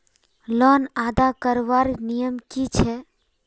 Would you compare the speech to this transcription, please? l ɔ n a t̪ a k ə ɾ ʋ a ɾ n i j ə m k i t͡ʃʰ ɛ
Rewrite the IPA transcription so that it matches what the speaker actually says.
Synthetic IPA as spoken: l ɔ n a d̪ a k ə ɾ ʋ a ɾ n i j ə m k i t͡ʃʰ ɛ